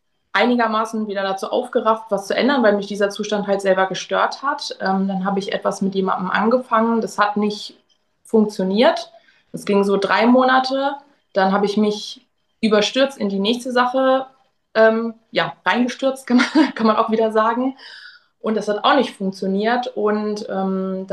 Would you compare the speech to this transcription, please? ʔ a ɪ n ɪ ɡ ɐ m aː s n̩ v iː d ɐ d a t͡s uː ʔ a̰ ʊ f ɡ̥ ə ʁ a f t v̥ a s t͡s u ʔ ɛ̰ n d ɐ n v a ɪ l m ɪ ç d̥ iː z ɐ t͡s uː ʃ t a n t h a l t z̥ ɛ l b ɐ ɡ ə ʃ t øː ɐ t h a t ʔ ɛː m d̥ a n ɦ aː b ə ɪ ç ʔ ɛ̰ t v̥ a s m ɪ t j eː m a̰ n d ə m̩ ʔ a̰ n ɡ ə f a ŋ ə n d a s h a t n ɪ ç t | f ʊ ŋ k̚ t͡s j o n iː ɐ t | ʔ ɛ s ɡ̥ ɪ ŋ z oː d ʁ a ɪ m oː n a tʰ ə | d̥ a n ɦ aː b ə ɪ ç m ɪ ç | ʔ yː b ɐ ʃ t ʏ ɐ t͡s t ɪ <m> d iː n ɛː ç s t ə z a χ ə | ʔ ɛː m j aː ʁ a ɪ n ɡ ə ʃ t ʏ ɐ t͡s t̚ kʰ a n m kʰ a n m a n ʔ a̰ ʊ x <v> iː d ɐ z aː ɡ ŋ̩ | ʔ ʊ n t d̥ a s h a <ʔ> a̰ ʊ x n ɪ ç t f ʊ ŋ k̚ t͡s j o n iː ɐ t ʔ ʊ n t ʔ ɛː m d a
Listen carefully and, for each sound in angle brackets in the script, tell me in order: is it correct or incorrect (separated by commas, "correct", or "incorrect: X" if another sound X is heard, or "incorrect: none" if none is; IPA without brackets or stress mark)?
incorrect: n, correct, incorrect: t